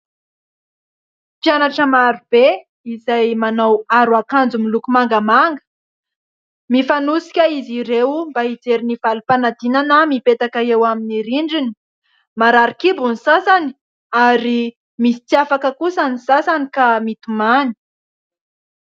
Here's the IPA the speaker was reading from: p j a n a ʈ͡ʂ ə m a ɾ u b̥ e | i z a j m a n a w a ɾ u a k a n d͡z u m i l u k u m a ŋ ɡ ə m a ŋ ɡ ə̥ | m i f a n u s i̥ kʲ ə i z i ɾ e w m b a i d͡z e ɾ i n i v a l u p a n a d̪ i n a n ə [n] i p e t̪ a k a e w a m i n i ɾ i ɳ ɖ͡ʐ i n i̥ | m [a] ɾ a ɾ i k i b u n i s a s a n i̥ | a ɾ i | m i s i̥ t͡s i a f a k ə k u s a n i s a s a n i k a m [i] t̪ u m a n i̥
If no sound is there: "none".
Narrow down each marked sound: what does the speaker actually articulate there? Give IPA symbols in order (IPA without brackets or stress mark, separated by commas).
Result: m, a, i